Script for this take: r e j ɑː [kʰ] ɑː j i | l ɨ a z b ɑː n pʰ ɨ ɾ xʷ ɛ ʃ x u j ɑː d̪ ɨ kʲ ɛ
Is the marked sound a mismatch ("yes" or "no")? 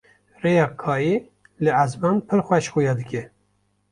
no